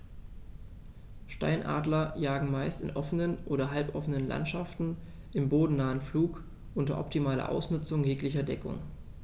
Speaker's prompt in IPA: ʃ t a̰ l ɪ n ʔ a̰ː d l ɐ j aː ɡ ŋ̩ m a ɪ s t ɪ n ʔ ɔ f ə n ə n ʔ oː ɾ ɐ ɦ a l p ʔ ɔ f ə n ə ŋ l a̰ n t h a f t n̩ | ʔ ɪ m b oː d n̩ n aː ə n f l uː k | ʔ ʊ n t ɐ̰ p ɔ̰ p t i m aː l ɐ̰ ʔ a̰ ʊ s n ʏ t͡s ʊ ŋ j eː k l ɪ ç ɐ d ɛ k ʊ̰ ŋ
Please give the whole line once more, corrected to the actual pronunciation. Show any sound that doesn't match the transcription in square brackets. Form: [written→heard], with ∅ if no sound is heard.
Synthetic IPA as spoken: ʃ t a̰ [l→∅] ɪ n ʔ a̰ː d l ɐ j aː ɡ ŋ̩ m a ɪ s t ɪ n ʔ ɔ f ə n ə n ʔ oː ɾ ɐ ɦ a l p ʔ ɔ f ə n ə [ŋ→n] l a̰ n t [h→ʃ] a f t n̩ | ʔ ɪ m b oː d n̩ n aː ə n f l uː k | ʔ ʊ n t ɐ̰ [p→ʔ] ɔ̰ p t i m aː l ɐ̰ ʔ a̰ ʊ s n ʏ t͡s ʊ ŋ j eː k l ɪ ç ɐ d ɛ k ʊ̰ ŋ